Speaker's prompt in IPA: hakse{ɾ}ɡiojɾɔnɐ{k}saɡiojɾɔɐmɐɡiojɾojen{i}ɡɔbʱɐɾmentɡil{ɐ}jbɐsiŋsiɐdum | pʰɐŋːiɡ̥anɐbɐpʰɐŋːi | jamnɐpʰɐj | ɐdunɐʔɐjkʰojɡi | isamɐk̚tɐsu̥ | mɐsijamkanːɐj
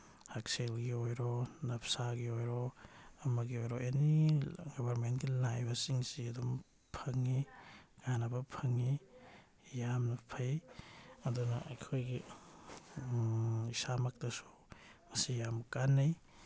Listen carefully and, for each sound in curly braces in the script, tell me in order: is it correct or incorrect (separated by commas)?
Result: incorrect, incorrect, correct, incorrect